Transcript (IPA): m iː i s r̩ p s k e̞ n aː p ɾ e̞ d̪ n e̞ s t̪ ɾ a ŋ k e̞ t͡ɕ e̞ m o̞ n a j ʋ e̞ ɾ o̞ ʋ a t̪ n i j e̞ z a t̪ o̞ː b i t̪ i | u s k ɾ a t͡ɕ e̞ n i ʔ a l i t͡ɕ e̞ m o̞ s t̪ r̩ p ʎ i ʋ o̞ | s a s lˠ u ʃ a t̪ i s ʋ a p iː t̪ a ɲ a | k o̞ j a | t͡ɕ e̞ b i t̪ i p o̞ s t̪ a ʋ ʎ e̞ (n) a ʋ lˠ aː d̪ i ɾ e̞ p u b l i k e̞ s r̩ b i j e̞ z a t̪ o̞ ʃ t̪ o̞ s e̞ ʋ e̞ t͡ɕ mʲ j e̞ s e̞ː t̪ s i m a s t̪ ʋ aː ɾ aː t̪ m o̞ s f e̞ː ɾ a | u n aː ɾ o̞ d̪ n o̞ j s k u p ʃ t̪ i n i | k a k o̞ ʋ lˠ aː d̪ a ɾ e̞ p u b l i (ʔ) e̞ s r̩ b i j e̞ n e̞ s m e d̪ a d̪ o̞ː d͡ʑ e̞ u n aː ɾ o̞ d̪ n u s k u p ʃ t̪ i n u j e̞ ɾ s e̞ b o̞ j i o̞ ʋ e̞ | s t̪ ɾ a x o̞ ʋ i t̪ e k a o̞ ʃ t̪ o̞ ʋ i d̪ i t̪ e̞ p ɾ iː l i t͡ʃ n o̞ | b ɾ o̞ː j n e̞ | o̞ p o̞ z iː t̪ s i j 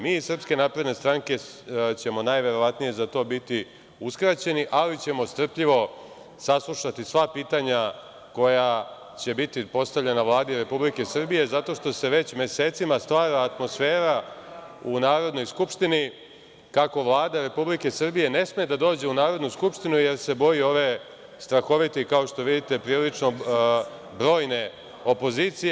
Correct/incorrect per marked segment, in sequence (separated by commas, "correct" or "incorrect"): correct, incorrect